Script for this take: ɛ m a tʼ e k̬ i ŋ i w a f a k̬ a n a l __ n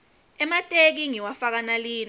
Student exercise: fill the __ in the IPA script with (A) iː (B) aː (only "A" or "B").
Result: A